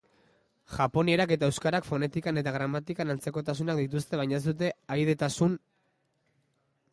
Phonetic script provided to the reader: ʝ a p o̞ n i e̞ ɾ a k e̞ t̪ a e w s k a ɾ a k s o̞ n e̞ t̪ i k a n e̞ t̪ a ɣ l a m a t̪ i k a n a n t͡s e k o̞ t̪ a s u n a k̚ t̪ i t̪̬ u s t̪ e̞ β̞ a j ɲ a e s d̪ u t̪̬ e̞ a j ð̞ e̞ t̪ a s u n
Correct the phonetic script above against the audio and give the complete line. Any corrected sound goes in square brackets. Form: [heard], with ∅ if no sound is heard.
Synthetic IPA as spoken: ʝ a p o̞ n i e̞ ɾ a k e̞ t̪ a e w s k a ɾ a k [f] o̞ n e̞ t̪ i k a n e̞ t̪ a ɣ [ɾ] a m a t̪ i k a n a n t͡s e k o̞ t̪ a s u n a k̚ [d̪] i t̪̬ u s t̪ e̞ β̞ a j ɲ a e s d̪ u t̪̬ e̞ a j ð̞ e̞ t̪ a s u n